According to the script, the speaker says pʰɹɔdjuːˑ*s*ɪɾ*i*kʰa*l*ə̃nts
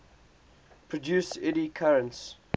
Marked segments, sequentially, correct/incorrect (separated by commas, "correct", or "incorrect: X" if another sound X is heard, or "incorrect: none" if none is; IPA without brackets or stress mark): correct, correct, incorrect: ɹ